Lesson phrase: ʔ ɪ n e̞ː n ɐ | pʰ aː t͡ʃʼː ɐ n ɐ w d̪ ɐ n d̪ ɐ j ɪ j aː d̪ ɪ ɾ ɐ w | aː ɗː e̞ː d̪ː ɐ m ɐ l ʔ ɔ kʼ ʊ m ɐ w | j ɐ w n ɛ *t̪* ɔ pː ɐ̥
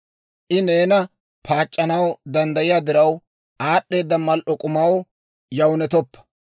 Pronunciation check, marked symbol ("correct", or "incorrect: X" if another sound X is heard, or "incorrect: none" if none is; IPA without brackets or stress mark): correct